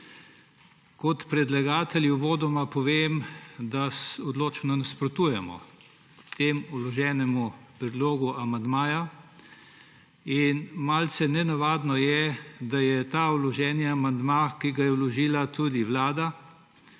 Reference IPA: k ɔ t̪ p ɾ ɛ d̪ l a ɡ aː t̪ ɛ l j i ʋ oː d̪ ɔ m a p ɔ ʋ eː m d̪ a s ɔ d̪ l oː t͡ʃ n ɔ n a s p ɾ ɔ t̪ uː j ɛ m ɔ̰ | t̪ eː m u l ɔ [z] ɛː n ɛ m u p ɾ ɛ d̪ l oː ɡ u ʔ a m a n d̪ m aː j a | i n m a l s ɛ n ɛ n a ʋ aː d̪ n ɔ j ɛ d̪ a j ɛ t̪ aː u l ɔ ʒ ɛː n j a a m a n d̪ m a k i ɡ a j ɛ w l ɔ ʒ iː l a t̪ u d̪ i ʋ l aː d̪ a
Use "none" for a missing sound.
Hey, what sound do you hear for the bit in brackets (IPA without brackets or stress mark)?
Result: ʒ